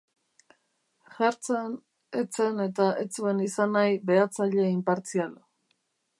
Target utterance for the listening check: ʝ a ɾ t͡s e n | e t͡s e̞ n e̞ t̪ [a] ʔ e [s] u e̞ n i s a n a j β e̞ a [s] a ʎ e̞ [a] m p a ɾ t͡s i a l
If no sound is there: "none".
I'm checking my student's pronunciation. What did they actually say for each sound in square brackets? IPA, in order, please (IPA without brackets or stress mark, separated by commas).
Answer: a, t͡s, t͡s, i